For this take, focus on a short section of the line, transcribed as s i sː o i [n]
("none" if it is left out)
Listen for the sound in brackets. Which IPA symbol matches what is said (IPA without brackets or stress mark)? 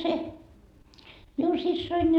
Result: n